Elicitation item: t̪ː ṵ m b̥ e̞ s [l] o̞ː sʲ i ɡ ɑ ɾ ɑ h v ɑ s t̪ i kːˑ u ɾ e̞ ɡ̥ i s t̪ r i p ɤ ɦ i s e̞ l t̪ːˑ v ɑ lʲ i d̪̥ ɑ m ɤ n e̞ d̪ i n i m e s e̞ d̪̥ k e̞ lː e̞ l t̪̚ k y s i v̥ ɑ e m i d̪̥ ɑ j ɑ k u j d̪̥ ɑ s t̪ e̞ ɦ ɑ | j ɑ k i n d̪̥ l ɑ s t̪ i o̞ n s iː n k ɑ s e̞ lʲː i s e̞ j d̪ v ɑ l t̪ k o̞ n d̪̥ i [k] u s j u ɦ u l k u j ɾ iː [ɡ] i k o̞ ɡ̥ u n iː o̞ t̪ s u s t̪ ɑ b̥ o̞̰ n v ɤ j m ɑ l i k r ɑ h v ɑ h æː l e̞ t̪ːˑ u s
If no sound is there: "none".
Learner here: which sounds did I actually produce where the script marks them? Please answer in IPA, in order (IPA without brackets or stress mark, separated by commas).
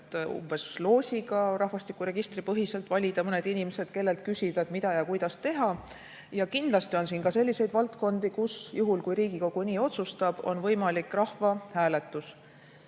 l, k, ɡ